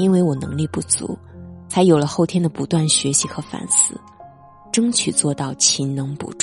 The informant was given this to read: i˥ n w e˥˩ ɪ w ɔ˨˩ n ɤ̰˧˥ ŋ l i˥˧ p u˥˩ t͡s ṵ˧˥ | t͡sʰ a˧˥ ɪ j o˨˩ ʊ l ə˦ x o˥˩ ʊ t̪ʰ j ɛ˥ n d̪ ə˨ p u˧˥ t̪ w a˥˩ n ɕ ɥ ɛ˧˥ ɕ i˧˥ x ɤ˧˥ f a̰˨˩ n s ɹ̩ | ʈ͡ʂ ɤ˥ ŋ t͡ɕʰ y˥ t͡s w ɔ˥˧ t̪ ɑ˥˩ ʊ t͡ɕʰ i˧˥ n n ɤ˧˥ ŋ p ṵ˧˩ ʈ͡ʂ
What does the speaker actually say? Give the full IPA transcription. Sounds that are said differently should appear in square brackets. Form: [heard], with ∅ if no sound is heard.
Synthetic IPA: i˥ n w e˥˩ ɪ w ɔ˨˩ n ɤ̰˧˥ ŋ l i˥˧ p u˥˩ t͡s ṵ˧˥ | t͡sʰ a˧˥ ɪ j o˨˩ ʊ l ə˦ x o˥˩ ʊ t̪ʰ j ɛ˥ n d̪ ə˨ p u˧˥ t̪ w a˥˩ n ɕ ɥ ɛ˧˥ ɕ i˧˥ x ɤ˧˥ f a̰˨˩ n s ɹ̩ | ʈ͡ʂ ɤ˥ ŋ t͡ɕʰ [y˨˩] t͡s w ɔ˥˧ t̪ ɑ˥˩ ʊ t͡ɕʰ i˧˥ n n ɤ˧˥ ŋ p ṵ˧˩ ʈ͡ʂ